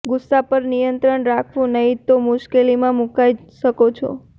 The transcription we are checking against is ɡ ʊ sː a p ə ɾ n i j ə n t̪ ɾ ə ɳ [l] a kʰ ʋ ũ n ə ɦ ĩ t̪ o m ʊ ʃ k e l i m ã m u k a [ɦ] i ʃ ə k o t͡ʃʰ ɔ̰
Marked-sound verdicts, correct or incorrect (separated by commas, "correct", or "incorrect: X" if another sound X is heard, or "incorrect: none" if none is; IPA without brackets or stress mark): incorrect: ɾ, incorrect: none